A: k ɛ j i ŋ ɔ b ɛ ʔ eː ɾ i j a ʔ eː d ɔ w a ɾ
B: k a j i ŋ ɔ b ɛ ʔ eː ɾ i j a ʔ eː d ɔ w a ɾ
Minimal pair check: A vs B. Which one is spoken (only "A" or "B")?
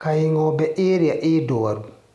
B